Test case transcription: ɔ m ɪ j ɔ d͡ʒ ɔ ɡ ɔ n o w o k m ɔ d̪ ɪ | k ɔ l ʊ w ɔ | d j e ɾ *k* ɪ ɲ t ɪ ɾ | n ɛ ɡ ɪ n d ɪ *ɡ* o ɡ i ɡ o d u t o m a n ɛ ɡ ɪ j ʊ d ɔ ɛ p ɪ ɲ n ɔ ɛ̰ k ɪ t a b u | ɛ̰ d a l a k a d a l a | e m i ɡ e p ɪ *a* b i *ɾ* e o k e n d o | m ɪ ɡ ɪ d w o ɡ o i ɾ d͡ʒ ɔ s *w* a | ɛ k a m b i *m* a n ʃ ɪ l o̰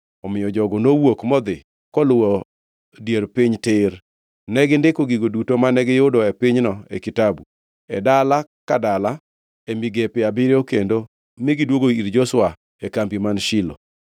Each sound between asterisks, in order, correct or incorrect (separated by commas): incorrect, incorrect, correct, correct, correct, correct